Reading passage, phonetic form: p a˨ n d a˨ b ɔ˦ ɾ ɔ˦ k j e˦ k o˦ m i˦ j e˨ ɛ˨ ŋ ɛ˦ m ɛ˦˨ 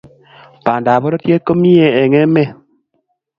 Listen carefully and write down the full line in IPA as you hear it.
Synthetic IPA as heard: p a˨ n d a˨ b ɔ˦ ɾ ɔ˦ t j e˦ k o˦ m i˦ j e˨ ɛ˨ ŋ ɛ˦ m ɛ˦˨

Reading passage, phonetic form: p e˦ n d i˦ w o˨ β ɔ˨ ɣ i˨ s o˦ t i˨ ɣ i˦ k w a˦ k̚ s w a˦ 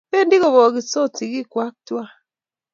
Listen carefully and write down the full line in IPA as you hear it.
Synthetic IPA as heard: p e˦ n d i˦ ɣ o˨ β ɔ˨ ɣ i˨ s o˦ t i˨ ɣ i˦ k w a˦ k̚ t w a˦

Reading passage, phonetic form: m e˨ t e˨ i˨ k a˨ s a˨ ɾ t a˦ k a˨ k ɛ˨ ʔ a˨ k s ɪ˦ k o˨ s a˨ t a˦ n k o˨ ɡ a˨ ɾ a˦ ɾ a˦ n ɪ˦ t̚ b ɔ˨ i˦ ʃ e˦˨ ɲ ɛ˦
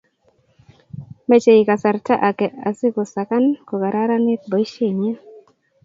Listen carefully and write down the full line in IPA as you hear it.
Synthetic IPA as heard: m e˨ t͡ʃ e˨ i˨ k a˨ s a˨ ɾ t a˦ ʔ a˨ k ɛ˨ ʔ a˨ s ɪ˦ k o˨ s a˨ k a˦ n k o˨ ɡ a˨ ɾ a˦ ɾ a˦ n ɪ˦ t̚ b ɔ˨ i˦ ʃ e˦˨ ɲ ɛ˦

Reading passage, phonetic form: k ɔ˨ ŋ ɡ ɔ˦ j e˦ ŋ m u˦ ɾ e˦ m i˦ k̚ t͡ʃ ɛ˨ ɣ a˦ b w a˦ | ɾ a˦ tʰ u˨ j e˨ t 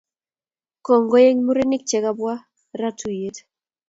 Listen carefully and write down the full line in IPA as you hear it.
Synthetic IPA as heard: k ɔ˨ ŋ ɡ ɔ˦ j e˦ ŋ m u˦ ɾ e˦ n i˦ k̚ t͡ʃ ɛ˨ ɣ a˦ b w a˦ | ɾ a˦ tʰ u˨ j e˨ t

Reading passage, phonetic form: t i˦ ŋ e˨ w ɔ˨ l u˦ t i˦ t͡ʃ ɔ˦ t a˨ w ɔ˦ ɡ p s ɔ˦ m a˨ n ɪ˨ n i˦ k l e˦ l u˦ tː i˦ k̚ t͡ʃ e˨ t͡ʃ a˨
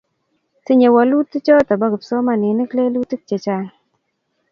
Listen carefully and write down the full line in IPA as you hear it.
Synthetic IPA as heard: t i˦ ɲ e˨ w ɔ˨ l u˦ t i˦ t͡ʃ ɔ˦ t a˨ b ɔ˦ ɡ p s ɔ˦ m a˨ n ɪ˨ n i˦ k l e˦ l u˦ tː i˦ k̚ t͡ʃ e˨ t͡ʃ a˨

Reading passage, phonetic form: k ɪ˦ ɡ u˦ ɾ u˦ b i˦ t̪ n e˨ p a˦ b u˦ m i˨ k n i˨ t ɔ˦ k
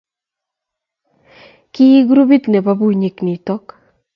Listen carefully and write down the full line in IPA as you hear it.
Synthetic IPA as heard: k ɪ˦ ɡ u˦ ɾ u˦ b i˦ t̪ n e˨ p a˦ b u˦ ɲ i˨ k n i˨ t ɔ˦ k

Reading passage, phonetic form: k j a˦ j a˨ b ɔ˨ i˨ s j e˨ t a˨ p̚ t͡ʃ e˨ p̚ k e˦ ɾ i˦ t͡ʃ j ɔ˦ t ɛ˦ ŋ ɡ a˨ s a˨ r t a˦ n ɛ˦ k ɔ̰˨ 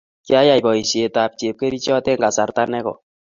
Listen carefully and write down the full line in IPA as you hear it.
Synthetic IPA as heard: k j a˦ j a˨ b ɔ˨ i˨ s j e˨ t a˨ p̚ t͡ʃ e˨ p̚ k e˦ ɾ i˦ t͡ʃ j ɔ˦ t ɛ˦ ŋ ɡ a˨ s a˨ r t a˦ n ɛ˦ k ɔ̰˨

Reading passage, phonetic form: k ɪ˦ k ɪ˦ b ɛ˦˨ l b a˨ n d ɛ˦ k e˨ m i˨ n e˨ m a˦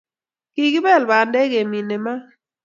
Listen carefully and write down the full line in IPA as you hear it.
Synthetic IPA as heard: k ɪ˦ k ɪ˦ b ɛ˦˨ l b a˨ n d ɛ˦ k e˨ m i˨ n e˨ m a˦

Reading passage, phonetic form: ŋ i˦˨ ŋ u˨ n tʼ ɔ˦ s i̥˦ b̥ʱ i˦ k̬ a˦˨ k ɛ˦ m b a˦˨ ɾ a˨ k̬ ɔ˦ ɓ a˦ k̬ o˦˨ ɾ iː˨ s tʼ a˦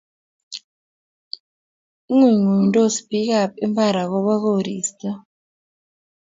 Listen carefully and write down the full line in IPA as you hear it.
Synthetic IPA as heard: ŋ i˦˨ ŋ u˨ n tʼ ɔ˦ s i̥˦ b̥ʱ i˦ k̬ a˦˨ p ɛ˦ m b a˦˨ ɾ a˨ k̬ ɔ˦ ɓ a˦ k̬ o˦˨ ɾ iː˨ s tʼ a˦

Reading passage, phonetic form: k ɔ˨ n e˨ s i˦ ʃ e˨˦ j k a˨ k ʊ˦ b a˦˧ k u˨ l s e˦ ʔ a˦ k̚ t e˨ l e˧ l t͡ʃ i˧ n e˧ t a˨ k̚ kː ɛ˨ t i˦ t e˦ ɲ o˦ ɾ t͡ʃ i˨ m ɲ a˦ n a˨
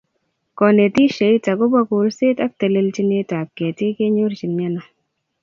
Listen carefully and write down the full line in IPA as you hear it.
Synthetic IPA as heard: k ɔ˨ n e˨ t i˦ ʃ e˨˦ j t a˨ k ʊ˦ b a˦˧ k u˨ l s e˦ t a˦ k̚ t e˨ l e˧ l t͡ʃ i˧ n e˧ t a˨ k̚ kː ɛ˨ t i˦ k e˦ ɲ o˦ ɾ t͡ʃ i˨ n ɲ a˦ n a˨

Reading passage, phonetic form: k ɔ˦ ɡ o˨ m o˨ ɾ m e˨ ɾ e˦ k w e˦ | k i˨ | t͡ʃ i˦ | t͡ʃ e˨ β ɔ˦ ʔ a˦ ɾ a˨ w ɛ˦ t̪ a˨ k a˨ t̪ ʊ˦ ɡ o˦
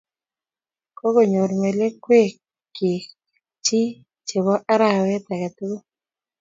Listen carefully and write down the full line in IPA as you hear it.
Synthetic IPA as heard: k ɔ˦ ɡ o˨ ɲ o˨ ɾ m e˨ l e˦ k w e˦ | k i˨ | t͡ʃ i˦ | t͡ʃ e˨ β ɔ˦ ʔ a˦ ɾ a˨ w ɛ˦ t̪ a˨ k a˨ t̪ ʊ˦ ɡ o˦

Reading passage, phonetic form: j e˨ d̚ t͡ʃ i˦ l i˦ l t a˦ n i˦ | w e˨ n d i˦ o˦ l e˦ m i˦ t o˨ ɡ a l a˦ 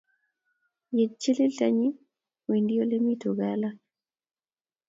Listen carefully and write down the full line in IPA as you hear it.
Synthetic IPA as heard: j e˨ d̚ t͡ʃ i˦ l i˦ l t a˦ ɲ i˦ | w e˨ n d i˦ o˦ l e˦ m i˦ t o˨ ɡ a l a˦

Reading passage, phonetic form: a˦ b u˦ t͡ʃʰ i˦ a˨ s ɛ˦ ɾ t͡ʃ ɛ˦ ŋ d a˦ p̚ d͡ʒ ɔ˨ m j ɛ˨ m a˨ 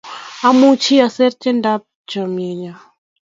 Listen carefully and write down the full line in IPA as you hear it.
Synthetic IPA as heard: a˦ m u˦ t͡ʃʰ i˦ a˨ s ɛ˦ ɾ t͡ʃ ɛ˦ n d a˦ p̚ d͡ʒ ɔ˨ m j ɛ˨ ɲ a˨

